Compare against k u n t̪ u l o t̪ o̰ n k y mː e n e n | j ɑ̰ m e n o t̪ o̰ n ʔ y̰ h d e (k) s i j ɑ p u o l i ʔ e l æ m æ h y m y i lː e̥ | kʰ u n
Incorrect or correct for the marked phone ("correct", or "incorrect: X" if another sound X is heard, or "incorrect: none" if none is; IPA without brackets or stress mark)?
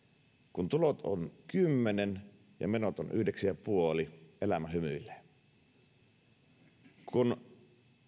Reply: correct